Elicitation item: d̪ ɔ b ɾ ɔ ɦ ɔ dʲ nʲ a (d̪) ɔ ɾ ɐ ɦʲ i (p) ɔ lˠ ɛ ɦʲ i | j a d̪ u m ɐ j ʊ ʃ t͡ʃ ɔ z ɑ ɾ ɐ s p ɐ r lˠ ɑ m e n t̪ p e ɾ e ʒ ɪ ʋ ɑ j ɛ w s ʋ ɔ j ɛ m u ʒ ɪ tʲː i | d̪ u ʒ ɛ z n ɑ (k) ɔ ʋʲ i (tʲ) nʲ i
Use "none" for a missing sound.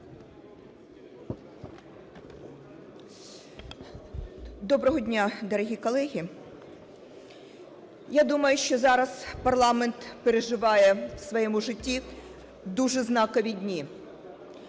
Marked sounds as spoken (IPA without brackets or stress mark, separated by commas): d̪, k, k, dʲ